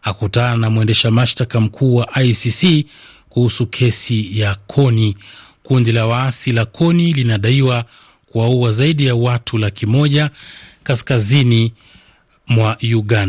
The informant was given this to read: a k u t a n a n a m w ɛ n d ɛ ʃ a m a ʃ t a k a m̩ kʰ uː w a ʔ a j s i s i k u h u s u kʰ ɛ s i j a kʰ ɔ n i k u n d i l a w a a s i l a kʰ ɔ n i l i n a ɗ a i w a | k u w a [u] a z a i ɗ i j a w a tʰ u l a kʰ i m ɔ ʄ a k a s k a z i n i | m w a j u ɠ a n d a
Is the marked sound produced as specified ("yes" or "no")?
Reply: yes